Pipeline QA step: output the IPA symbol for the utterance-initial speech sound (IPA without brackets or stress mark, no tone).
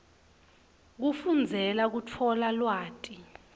k̬